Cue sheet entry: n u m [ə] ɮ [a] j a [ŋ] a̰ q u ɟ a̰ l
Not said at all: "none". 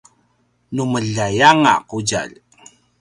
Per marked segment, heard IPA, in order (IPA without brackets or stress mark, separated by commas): ə, a, ŋ